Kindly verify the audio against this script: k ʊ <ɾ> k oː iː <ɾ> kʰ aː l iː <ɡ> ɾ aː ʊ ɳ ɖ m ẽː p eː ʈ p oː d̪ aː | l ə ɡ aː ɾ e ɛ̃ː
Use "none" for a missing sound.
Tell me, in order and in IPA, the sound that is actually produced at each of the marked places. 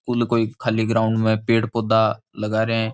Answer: l, none, ɡ

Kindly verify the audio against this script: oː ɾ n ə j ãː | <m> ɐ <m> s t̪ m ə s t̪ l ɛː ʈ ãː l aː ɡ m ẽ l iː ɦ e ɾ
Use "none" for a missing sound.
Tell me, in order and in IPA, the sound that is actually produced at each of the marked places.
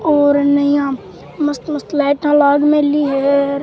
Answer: m, none

